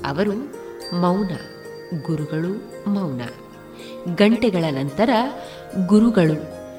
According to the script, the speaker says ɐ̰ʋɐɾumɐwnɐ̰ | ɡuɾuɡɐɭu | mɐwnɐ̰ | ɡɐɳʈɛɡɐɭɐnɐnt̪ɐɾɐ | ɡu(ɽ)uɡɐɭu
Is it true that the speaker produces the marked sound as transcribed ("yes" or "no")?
no